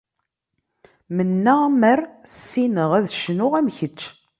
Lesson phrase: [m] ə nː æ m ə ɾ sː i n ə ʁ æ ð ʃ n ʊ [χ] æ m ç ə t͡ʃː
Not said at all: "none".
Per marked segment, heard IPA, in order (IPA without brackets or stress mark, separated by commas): m, ʁ